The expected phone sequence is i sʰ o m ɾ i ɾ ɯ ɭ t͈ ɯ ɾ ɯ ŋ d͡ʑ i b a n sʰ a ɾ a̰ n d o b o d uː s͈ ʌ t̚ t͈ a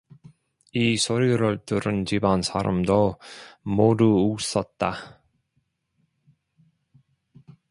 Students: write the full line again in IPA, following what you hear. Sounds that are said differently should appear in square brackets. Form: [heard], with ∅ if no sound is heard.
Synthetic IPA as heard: i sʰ o [∅] ɾ i ɾ ɯ ɭ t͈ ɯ ɾ ɯ [n] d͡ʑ i b a n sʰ a ɾ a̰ [m] d o [m] o d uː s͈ ʌ t̚ t͈ a